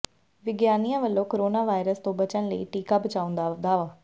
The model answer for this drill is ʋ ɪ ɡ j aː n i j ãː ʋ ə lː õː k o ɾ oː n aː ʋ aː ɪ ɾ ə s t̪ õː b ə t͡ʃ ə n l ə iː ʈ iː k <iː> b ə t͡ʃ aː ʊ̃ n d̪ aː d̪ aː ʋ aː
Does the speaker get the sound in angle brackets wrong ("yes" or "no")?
yes